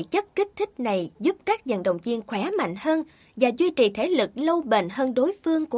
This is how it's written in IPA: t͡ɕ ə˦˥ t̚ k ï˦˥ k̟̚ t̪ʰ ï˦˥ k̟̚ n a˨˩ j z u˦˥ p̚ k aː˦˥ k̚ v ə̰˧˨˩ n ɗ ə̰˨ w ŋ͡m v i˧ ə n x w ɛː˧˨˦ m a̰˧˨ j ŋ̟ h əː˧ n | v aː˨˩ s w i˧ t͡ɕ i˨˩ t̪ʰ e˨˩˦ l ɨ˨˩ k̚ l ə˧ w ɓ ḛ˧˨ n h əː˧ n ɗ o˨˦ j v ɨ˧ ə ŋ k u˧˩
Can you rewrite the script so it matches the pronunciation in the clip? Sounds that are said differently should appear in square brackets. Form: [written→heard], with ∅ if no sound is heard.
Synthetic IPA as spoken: t͡ɕ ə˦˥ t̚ k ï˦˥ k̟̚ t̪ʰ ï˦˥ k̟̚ n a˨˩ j z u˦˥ p̚ k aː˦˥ k̚ [v→z] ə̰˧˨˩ n ɗ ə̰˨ w ŋ͡m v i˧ ə n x w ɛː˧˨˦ m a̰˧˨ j ŋ̟ h əː˧ n | v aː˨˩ [s→z] w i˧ t͡ɕ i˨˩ t̪ʰ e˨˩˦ l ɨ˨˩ k̚ l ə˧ w ɓ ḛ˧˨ n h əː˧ n ɗ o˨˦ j [v→f] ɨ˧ ə ŋ k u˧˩